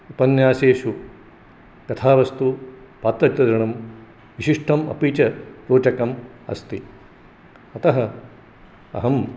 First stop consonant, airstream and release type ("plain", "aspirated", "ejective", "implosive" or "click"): plain